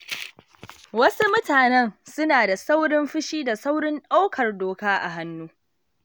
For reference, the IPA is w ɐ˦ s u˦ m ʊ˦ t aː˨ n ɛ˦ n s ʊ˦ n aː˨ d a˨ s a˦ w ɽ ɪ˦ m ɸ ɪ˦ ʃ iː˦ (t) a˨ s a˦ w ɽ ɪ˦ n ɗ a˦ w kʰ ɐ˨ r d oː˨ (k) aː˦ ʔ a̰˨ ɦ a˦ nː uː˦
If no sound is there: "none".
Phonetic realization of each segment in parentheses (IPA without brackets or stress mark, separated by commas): d, k